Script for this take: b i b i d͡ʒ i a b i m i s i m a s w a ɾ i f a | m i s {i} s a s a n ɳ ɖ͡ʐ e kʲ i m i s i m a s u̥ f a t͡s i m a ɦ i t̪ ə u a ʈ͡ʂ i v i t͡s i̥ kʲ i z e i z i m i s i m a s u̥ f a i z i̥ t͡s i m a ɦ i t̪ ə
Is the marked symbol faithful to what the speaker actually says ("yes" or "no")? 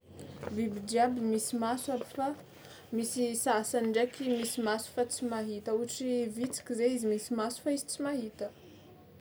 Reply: yes